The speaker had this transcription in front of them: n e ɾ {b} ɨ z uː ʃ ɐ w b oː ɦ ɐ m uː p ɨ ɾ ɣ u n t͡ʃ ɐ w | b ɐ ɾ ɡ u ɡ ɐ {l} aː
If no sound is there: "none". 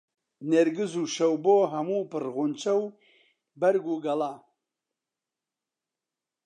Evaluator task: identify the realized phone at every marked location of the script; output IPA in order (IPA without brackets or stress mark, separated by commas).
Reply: ɡ, l